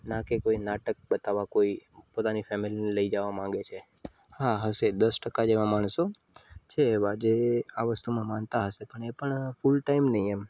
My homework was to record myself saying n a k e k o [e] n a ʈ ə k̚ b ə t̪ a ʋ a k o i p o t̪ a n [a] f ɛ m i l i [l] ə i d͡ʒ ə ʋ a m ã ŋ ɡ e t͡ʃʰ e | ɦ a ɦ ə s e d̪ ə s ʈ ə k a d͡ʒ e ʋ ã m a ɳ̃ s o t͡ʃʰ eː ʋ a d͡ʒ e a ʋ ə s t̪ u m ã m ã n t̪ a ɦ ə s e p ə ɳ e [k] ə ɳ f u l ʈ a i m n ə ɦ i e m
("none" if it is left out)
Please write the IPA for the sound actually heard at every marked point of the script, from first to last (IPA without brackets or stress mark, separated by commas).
i, i, l, p